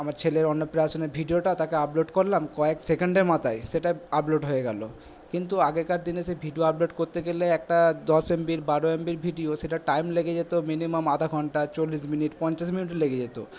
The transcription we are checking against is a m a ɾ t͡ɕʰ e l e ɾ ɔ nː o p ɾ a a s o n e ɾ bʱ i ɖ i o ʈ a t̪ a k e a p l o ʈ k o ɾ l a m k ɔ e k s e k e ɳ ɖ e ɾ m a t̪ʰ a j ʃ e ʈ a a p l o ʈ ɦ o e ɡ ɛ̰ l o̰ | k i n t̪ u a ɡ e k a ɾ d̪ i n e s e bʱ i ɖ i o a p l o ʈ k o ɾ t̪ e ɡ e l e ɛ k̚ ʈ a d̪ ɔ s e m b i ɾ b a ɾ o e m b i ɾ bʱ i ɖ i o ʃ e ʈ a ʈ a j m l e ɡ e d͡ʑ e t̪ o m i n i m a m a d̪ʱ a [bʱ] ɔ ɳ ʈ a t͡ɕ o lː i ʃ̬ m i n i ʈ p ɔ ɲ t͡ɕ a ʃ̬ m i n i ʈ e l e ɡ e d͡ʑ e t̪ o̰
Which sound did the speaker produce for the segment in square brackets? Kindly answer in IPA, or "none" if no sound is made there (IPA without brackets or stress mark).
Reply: ɡʱ